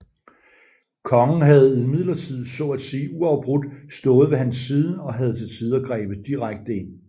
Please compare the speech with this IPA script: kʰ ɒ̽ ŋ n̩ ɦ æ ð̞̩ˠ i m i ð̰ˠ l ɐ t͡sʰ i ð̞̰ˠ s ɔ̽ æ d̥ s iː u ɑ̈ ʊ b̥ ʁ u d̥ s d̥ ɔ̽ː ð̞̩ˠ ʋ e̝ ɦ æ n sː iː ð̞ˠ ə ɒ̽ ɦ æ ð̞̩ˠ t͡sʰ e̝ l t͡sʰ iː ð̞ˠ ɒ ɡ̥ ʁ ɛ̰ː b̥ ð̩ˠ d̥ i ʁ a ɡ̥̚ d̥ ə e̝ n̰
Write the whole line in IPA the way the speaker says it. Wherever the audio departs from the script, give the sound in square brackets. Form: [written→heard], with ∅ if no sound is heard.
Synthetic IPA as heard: kʰ ɒ̽ ŋ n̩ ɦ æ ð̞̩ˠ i m i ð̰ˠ l ɐ t͡sʰ i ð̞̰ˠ s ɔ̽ æ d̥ s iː u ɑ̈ ʊ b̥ ʁ u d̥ s d̥ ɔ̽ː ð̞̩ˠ ʋ e̝ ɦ æ n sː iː ð̞ˠ ə ɒ̽ ɦ æ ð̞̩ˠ t͡sʰ e̝ l t͡sʰ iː ð̞ˠ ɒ ɡ̥ ʁ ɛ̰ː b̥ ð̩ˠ d̥ i ʁ a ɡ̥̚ d̥ ə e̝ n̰